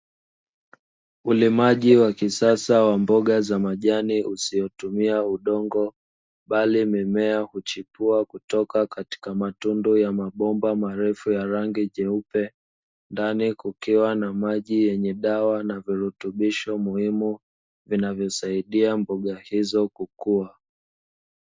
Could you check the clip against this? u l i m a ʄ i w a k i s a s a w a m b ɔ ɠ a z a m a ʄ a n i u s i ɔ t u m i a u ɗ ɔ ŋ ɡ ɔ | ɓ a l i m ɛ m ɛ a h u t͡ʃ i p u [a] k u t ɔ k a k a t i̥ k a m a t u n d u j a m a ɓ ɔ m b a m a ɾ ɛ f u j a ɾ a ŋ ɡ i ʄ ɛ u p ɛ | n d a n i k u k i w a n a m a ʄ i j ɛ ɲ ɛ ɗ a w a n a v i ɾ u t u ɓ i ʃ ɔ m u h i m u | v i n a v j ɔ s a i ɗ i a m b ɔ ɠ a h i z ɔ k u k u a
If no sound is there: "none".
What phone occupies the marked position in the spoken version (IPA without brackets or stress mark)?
a